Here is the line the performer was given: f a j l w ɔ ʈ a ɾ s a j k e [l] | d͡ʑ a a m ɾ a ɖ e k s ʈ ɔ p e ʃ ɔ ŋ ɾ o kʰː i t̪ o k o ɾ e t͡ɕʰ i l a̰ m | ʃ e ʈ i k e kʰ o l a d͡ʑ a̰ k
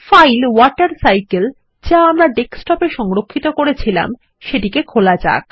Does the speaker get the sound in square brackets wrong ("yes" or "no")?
no